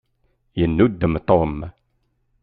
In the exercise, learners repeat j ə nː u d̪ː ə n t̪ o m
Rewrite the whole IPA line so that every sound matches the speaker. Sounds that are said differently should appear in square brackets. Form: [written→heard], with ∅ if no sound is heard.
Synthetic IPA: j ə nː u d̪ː ə [n→m] t̪ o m